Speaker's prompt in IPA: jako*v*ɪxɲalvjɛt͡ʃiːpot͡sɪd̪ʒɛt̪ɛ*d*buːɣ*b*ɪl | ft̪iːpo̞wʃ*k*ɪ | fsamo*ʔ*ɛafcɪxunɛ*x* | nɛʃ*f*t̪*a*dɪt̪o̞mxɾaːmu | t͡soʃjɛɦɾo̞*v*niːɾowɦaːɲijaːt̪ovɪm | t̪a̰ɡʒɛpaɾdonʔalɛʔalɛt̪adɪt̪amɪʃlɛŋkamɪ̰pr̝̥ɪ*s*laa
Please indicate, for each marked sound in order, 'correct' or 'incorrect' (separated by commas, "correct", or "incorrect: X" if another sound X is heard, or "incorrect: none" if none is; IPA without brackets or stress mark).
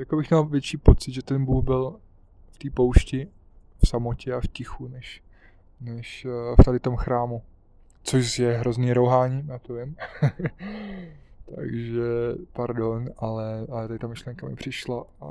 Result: incorrect: b, incorrect: n, correct, incorrect: c, incorrect: c, incorrect: ʃ, correct, correct, incorrect: z, incorrect: ʃ